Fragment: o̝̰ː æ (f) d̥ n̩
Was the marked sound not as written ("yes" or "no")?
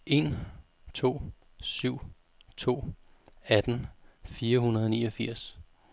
yes